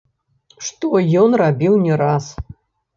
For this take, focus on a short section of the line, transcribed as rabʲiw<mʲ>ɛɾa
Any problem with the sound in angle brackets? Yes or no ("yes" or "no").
yes